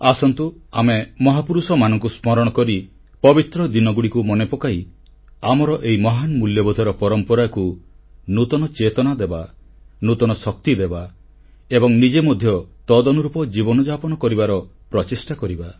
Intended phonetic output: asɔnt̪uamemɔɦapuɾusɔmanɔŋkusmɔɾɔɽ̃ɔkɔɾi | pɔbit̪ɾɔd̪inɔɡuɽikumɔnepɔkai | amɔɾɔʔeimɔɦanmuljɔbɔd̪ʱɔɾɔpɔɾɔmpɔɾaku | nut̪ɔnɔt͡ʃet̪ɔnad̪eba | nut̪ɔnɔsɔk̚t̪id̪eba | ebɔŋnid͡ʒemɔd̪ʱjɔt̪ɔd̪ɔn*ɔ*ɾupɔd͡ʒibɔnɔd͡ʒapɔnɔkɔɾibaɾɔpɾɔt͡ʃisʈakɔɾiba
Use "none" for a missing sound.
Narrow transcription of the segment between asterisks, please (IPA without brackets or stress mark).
u